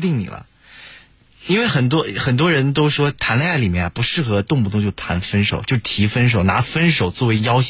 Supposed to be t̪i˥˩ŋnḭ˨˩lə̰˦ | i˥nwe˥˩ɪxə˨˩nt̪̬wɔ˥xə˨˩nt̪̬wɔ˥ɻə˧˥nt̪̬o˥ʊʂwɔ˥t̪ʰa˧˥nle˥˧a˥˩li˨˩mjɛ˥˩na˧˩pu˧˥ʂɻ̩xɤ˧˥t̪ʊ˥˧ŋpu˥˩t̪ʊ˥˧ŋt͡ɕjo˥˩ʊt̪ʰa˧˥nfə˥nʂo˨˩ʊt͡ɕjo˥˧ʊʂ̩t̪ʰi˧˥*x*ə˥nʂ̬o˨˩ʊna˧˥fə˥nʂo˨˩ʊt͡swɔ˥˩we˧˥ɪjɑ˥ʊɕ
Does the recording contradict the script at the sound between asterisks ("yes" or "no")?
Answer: yes